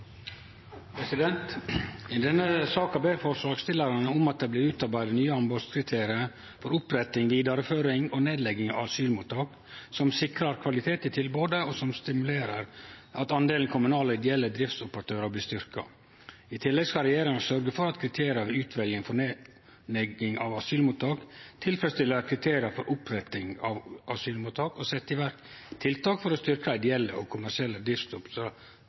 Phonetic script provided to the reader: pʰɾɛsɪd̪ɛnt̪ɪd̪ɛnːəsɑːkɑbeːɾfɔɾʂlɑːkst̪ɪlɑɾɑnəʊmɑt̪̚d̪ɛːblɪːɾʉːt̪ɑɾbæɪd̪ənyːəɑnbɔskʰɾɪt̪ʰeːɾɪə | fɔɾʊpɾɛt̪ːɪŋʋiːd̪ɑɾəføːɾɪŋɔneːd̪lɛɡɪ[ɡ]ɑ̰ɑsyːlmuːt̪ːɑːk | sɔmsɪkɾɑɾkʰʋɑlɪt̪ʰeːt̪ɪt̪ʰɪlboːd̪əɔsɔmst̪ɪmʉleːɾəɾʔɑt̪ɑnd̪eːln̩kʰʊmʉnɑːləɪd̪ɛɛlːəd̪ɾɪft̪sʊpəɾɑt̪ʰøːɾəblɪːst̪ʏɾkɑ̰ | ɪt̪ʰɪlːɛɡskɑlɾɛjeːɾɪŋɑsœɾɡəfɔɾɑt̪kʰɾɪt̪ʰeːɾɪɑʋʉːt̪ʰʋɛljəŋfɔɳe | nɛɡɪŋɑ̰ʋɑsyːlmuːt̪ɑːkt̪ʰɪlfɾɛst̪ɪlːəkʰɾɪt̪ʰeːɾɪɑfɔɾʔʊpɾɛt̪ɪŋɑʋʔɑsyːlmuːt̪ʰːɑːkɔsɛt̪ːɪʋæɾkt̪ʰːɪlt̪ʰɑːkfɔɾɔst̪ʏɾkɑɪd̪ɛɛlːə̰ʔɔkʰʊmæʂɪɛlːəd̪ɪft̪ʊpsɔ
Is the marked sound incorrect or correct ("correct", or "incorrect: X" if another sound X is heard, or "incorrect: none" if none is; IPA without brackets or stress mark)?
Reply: incorrect: ŋ